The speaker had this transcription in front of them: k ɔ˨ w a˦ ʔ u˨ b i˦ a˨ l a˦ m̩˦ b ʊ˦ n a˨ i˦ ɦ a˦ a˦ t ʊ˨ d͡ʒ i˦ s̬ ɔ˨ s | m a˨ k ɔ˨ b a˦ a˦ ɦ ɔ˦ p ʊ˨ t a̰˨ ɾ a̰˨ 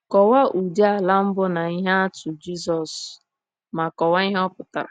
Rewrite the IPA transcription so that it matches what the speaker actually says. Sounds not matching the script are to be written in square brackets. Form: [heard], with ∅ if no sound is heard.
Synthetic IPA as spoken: k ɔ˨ w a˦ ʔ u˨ [d] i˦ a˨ l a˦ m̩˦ b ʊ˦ n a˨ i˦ ɦ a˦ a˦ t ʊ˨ d͡ʒ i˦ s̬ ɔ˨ s | m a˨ k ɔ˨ [w] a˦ [i˦] ɦ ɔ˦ p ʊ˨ t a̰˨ ɾ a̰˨

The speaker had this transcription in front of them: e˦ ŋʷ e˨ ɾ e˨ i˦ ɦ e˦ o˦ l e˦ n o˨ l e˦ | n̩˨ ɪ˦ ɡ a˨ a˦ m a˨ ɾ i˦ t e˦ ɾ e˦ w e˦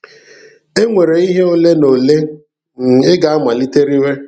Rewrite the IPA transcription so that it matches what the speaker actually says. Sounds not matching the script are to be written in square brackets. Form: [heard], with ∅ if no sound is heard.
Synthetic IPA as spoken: e˦ ŋʷ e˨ ɾ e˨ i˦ ɦ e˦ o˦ l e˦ n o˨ l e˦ | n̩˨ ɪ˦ ɡ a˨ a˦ m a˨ [l] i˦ t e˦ ɾ [i˦] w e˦

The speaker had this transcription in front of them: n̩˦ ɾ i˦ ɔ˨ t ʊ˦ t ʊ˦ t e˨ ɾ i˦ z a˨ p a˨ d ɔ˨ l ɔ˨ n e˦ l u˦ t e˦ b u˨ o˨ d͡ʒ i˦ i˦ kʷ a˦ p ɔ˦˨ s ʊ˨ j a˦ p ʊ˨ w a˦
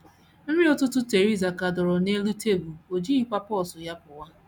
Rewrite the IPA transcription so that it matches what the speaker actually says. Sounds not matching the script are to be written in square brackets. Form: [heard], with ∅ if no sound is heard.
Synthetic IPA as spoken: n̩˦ ɾ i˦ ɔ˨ t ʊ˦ t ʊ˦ t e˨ ɾ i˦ z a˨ [k] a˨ d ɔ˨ [ɾ] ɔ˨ n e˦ l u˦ t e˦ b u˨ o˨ d͡ʒ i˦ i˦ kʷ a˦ p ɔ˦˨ s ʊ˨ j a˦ p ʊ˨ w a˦

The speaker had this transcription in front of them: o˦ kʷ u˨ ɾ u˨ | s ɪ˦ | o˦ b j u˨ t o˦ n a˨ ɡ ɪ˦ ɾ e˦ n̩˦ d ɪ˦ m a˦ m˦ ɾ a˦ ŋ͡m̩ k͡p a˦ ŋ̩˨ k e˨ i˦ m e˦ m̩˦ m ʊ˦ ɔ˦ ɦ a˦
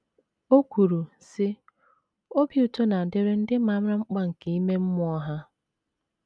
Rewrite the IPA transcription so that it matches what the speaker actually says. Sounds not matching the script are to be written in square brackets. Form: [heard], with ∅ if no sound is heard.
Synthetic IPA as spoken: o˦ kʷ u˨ ɾ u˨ | s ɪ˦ | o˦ b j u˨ t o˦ n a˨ [d] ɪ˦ ɾ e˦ n̩˦ d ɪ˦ m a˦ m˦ ɾ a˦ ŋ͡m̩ k͡p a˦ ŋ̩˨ k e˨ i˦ m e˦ m̩˦ m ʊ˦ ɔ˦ ɦ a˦

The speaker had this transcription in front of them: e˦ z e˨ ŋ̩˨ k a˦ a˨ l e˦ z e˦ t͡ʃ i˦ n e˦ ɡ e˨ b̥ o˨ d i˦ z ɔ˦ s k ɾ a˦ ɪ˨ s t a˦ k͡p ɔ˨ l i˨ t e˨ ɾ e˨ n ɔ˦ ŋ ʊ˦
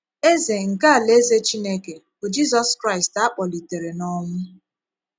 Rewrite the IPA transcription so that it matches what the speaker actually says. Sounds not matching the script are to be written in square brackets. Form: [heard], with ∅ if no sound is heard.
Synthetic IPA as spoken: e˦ z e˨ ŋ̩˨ k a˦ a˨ l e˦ z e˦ t͡ʃ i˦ n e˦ [k] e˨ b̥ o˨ [d͡ʒ] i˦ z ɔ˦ s k ɾ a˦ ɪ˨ s t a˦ k͡p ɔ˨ l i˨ t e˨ ɾ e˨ n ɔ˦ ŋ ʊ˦

